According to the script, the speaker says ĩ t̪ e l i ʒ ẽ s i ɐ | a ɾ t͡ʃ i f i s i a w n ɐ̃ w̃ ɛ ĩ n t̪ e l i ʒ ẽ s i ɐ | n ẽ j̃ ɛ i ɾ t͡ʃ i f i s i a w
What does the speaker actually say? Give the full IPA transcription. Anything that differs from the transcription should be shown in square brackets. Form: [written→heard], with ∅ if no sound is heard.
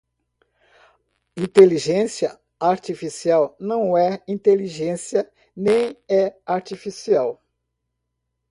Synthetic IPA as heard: ĩ t̪ e l i ʒ ẽ s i ɐ | a ɾ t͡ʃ i f i s i a w n ɐ̃ w̃ ɛ ĩ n t̪ e l i ʒ ẽ s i ɐ | n ẽ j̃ ɛ [i→a] ɾ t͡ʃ i f i s i a w

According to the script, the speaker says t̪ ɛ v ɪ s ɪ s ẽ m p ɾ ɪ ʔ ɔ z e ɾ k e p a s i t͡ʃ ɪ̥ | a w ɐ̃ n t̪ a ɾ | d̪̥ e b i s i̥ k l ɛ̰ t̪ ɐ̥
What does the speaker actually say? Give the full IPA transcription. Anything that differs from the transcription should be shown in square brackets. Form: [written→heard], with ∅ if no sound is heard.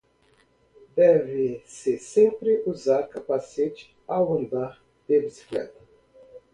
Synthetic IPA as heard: [t̪→d̪] ɛ v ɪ s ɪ s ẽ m p ɾ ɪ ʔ [ɔ→u] z [e→a] ɾ k [e→a] p a s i t͡ʃ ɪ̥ | a w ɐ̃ n [t̪→d̪] a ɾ | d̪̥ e b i s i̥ k l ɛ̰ t̪ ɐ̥

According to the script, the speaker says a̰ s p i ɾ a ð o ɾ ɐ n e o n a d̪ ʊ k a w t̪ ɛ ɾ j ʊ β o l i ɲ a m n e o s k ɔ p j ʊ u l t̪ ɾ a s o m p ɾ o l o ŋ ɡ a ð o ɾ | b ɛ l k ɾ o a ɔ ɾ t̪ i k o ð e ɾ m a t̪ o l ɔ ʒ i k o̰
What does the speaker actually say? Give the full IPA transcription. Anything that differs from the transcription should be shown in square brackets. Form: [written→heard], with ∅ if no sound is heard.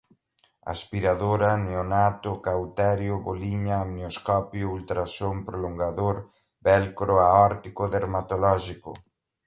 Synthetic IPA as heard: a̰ s p i ɾ a ð o ɾ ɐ n e o n a [d̪→t̪] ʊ k a w t̪ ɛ ɾ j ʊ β o l i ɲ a m n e o s k ɔ p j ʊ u l t̪ ɾ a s o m p ɾ o l o ŋ ɡ a ð o ɾ | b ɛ l k ɾ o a ɔ ɾ t̪ i k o ð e ɾ m a t̪ o l ɔ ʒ i k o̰

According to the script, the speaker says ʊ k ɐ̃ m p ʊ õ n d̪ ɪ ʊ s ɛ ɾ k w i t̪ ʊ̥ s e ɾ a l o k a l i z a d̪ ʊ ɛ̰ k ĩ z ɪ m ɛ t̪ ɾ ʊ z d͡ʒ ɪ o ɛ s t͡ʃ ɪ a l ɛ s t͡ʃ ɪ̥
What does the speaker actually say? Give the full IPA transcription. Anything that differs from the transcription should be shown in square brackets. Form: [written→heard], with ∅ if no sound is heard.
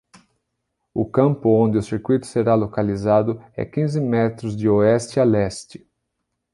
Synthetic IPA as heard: ʊ k ɐ̃ m p ʊ õ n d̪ ɪ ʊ s [ɛ→i] ɾ k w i t̪ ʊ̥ s e ɾ a l o k a l i z a d̪ ʊ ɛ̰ k ĩ z ɪ m ɛ t̪ ɾ ʊ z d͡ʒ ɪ o ɛ s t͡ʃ ɪ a l ɛ s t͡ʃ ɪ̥

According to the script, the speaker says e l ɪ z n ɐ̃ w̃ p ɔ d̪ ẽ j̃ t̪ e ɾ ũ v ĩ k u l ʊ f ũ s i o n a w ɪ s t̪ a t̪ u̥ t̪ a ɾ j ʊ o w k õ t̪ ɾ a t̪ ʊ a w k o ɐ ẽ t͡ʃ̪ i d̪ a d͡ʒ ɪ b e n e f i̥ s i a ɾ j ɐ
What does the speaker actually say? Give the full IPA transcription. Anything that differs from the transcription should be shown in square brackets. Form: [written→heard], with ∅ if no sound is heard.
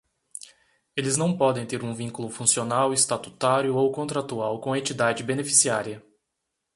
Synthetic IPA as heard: e l ɪ z n ɐ̃ w̃ p ɔ d̪ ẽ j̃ t̪ e ɾ ũ v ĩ k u l ʊ f ũ s i o n a w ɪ s t̪ a t̪ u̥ t̪ a ɾ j ʊ o w k õ t̪ ɾ a t̪ [ʊ→u] a w k [o→õ] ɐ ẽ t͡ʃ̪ i d̪ a d͡ʒ ɪ b e n e f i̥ s i a ɾ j ɐ

